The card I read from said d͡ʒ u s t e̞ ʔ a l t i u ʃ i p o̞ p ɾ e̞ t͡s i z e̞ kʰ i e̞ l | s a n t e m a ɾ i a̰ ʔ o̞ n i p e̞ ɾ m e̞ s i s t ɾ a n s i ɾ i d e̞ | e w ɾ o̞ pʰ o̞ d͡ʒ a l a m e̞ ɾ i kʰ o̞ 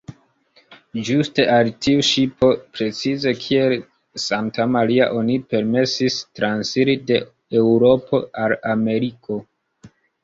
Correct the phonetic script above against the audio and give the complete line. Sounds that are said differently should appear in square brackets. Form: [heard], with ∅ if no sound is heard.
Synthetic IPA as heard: d͡ʒ u s t e̞ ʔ a l t i u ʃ i p o̞ p ɾ e̞ t͡s i z e̞ kʰ i e̞ l | s a n t [a] m a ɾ i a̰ ʔ o̞ n i p e̞ ɾ m e̞ s i s t ɾ a n s i ɾ i d e̞ | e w ɾ o̞ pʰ o̞ [∅] a l a m e̞ ɾ i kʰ o̞